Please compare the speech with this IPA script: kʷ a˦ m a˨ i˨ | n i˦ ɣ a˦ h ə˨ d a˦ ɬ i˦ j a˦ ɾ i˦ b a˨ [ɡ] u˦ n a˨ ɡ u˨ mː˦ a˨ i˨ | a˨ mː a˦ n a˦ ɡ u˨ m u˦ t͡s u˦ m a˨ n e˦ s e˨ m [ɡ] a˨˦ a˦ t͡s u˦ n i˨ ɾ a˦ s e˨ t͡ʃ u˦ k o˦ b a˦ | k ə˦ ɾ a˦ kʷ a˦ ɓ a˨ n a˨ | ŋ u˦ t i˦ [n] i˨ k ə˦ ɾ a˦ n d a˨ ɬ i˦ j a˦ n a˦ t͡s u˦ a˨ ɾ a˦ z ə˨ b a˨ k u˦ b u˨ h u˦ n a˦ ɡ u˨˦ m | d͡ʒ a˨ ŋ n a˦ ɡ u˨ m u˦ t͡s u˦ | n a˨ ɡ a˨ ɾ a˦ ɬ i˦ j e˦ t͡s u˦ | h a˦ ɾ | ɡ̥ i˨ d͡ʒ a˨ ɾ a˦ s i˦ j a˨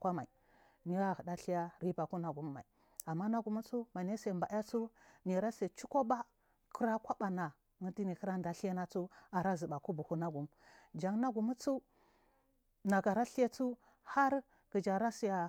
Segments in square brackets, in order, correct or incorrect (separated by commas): incorrect, incorrect, correct